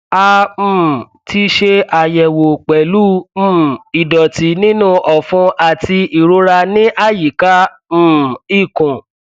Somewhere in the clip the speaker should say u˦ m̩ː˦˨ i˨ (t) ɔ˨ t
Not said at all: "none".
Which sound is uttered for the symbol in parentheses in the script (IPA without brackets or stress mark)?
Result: d